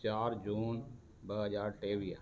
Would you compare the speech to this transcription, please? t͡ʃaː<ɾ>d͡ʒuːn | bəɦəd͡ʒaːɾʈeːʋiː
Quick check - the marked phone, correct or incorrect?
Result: correct